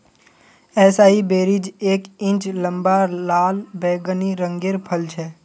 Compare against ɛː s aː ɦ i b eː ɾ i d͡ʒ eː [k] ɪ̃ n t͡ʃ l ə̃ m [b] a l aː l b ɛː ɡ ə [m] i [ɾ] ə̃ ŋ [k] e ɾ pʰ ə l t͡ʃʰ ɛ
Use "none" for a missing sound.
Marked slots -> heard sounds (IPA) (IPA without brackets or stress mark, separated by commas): k, b, n, ɾ, ɡ